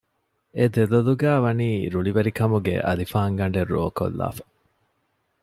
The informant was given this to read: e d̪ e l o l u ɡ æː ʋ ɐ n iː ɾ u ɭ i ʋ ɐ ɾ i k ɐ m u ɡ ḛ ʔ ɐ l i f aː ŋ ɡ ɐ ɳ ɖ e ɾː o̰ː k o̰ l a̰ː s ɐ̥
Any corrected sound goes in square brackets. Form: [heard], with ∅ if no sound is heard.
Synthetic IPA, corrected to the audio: e d̪ e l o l u ɡ æː ʋ ɐ n iː ɾ u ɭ i ʋ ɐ ɾ i k ɐ m u ɡ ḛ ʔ ɐ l i f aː ŋ ɡ ɐ ɳ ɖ e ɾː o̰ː k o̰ [lː] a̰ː [f] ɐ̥